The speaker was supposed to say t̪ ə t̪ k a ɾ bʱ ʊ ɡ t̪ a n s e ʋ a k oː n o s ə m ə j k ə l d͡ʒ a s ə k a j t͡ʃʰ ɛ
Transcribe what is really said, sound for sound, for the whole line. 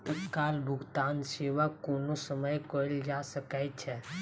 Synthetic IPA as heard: t̪ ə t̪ k a l bʱ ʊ ɡ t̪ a n s e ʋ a k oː n o s ə m ə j k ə l d͡ʒ a s ə k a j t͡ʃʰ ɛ